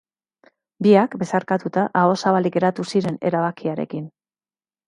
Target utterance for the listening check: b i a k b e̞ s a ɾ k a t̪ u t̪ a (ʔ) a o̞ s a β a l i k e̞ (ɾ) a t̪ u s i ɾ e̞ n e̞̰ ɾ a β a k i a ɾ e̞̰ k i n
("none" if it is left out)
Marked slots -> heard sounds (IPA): ʔ, ɾ

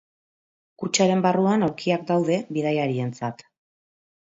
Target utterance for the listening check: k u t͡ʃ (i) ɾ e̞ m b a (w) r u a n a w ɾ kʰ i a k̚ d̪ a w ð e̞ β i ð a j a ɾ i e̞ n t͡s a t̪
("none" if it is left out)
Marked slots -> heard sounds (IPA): a, none

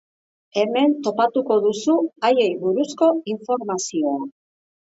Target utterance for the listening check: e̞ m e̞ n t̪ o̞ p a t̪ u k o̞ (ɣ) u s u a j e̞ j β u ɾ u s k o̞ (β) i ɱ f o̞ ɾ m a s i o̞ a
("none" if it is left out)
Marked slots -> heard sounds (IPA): ð, none

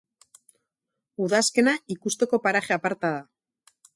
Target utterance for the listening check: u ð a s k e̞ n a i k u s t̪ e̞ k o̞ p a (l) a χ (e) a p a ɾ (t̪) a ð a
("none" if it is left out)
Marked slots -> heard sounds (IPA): ɾ, e, t̪

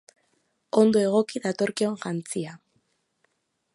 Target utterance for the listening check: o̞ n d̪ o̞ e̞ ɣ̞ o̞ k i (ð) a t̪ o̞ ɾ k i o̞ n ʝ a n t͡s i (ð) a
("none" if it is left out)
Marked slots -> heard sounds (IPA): ð, none

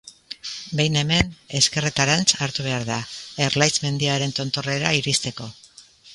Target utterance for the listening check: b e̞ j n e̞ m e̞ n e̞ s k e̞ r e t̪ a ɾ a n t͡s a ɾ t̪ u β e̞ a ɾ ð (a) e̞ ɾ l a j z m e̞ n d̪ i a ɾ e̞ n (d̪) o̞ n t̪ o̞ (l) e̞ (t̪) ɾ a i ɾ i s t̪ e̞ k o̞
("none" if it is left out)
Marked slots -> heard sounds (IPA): a, t̪, r, none

